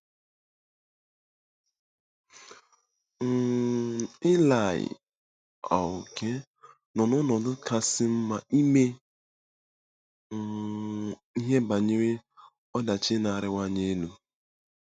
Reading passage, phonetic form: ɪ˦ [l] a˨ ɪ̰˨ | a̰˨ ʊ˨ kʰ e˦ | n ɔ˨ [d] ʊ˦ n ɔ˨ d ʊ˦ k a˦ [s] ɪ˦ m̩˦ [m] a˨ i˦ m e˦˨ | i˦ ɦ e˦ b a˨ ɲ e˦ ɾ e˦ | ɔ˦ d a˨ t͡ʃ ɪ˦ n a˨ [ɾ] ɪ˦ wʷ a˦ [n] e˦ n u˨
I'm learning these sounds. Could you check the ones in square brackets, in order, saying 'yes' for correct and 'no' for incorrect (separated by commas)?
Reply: yes, no, yes, yes, yes, no